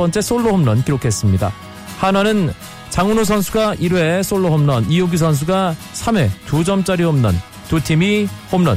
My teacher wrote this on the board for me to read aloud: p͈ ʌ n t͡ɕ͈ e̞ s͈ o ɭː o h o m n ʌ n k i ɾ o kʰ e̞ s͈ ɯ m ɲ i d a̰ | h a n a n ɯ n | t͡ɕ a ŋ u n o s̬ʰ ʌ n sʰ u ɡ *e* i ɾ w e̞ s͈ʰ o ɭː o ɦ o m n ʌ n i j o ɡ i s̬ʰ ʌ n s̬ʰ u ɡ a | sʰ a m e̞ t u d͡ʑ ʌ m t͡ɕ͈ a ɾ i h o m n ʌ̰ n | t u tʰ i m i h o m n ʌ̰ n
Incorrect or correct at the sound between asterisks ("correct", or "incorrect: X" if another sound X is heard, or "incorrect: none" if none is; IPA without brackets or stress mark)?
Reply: incorrect: a